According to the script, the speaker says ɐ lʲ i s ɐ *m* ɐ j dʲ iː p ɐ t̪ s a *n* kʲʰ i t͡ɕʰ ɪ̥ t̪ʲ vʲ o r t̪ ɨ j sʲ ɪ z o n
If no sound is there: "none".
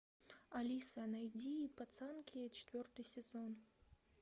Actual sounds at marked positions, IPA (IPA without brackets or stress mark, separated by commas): n, n